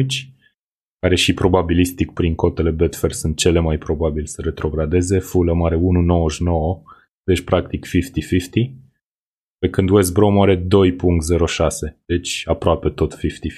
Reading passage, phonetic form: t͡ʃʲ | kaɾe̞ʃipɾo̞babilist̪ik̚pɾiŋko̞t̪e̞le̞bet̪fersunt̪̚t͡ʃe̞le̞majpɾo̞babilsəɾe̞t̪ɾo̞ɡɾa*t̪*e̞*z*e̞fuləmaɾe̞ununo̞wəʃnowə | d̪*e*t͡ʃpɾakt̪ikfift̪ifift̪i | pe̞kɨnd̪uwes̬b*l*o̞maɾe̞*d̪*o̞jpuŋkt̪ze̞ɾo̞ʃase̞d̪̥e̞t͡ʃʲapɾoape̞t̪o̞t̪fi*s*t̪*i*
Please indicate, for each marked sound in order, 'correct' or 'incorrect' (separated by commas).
incorrect, correct, correct, incorrect, correct, incorrect, correct